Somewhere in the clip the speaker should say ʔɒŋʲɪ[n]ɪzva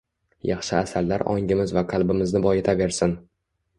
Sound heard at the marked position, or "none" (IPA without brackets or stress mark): m